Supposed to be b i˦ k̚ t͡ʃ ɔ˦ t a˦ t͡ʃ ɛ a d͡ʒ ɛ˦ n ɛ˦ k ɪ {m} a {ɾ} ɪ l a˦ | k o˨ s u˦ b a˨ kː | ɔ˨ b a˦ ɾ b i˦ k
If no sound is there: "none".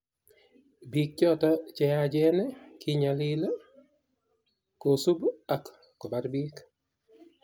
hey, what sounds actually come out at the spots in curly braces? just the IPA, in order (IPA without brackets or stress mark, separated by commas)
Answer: ɲ, l